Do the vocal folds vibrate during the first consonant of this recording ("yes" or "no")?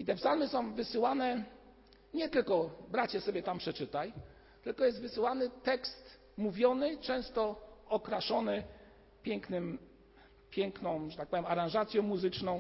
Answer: no